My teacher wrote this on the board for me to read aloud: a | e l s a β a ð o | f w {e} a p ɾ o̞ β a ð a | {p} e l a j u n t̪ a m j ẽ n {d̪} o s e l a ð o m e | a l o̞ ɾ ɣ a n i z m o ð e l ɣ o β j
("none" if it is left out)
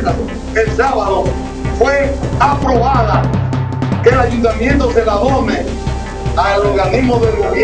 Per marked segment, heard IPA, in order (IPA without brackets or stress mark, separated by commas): e, k, t̪